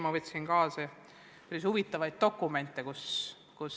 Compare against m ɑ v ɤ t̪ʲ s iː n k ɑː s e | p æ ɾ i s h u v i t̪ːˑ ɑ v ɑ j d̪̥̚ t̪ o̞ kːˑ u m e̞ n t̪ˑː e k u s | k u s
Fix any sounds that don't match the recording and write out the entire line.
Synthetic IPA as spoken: m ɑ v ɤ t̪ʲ s i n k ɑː s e | p æ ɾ i s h u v i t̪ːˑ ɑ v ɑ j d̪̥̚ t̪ o̞ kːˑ u m e̞ n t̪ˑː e k u s | k u s